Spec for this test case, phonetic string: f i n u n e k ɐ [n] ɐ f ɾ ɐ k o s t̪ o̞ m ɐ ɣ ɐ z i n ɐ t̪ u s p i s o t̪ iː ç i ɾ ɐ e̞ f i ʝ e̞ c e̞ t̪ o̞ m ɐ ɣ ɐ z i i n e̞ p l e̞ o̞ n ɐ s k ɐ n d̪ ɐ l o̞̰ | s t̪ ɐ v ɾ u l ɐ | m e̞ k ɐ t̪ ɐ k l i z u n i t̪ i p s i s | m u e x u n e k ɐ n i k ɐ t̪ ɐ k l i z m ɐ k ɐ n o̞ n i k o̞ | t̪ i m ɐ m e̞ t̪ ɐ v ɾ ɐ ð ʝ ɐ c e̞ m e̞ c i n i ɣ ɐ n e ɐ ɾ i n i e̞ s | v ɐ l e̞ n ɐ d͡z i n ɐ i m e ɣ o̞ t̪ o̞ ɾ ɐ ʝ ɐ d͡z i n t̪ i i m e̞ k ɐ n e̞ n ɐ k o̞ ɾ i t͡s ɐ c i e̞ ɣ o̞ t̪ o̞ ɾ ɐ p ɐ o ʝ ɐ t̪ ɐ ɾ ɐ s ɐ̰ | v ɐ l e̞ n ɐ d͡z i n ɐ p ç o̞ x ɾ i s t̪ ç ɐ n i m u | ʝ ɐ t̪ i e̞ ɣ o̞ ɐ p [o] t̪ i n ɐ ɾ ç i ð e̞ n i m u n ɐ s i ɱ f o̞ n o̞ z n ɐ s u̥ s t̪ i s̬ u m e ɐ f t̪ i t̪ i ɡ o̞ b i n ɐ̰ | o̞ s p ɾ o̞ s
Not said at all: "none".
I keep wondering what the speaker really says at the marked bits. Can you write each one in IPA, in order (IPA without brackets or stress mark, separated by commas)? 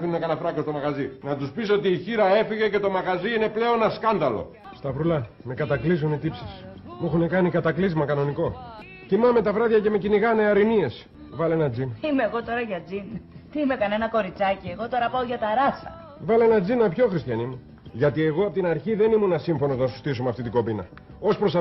n, o